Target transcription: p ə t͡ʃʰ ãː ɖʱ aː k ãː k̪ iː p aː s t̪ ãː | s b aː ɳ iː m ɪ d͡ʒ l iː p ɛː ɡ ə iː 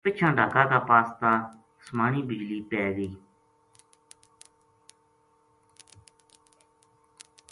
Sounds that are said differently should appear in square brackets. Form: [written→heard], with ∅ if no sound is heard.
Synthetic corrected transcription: p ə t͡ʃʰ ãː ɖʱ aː k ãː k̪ [iː→aː] p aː s t̪ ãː | s [b→m] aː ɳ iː [m→b] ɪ d͡ʒ l iː p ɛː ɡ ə iː